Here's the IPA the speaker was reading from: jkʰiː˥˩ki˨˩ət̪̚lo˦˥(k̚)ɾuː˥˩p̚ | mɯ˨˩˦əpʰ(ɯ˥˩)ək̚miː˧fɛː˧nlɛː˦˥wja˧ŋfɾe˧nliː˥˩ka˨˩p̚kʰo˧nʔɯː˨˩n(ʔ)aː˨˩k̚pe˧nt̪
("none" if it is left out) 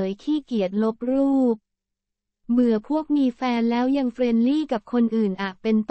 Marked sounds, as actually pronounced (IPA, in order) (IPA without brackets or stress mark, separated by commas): p̚, u˥˩, ʔ